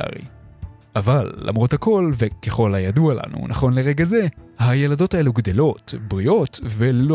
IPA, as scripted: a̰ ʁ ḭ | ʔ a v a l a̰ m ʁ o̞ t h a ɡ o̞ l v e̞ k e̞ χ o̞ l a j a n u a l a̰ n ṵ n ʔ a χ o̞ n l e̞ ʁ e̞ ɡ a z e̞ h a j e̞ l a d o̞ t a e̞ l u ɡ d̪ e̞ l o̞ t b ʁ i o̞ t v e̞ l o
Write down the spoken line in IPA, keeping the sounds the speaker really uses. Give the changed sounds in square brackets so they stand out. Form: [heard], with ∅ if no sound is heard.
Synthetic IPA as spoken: a̰ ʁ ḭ | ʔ a v a [lː] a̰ m ʁ o̞ t h a [k] o̞ l v e̞ k e̞ χ o̞ l a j a [d] u a l a̰ n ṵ n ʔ a χ o̞ n l e̞ ʁ e̞ ɡ a z e̞ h a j e̞ l a d o̞ t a e̞ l u ɡ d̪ e̞ l o̞ t b ʁ i o̞ t v e̞ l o